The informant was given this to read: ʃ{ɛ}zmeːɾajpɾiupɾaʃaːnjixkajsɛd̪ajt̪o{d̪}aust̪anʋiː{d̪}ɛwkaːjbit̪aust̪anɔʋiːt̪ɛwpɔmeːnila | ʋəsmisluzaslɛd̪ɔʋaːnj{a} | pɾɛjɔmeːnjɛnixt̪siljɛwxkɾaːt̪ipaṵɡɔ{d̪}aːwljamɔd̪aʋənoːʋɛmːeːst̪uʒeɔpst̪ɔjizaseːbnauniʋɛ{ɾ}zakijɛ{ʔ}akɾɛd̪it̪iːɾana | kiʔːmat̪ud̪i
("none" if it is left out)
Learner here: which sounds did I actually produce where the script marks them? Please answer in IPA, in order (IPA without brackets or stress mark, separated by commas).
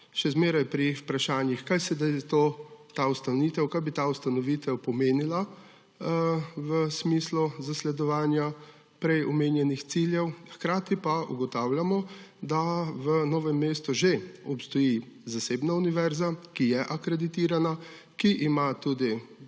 ɛ, t̪, t̪, a, t̪, ɾ, ʔ